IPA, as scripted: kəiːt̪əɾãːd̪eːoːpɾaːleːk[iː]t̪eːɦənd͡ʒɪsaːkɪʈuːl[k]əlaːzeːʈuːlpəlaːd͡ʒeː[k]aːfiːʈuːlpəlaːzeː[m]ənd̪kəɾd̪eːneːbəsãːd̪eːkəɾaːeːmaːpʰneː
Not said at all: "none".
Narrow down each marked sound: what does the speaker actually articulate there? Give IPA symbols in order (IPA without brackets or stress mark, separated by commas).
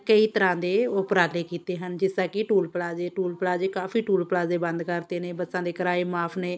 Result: iː, p, k, b